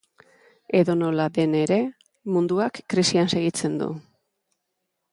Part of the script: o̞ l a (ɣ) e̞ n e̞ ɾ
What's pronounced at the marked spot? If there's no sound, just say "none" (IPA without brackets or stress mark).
ð